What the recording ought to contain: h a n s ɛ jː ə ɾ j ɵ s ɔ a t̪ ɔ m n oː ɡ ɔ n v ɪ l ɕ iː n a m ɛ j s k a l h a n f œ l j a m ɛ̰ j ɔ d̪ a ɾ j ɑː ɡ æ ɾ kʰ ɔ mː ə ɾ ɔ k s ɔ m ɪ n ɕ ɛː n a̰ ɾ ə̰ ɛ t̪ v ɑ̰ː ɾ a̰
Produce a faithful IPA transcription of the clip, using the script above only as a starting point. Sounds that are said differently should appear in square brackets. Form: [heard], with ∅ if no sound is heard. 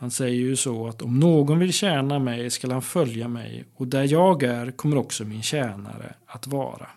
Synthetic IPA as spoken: h a n s ɛ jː ə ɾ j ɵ s ɔ a t̪ ɔ m n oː ɡ ɔ n v ɪ l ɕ [ɛː] n a m ɛ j s k a l h a n f œ l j a m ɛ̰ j ɔ d̪ [æ] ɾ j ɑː ɡ æ ɾ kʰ ɔ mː ə ɾ ɔ k s ɔ m ɪ n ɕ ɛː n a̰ ɾ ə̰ [a] t̪ v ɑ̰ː ɾ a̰